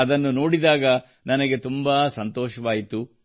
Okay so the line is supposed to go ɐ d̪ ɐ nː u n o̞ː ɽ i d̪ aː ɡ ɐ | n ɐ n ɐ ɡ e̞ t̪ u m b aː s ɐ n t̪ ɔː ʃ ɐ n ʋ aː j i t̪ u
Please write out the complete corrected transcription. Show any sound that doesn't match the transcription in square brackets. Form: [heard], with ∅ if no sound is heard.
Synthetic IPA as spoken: ɐ d̪ ɐ nː u n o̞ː ɽ i d̪ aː ɡ ɐ | n ɐ n ɐ ɡ e̞ t̪ u m b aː s ɐ n t̪ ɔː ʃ ɐ [∅] ʋ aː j i t̪ u